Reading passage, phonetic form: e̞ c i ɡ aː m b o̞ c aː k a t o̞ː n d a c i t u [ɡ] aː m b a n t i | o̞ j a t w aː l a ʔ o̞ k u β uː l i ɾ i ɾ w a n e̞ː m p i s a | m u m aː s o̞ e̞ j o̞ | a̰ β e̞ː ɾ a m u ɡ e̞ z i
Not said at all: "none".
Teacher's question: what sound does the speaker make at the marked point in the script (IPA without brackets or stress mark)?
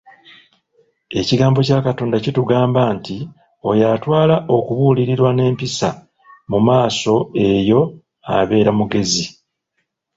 ɡ